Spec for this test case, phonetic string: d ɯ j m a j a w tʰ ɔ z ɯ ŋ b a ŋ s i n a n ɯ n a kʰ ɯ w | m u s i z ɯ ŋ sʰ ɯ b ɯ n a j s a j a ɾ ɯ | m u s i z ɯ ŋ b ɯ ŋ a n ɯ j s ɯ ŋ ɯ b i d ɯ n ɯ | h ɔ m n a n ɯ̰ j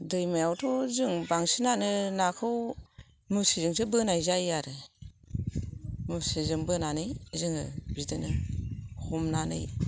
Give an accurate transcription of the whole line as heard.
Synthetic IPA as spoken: d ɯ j m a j a w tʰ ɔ z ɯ ŋ b a ŋ s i n a n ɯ n a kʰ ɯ w | m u s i z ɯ ŋ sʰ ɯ b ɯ n a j z a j a ɾ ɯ | m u s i z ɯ ŋ b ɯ n a n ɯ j z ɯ ŋ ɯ b i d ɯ n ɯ | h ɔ m n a n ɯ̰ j